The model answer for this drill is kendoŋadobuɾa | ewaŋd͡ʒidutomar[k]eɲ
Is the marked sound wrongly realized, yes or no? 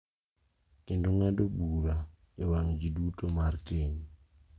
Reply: no